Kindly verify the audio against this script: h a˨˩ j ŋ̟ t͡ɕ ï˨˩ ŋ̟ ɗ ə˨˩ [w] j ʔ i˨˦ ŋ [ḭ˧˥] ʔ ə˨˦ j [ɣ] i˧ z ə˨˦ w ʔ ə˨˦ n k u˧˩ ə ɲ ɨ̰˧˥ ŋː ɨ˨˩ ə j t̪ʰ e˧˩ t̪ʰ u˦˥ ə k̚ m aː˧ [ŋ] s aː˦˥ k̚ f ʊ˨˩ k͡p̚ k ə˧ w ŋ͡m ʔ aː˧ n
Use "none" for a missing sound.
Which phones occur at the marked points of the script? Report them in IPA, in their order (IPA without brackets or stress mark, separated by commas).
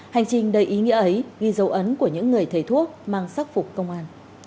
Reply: none, ḭ˧˥, ɣ, ŋ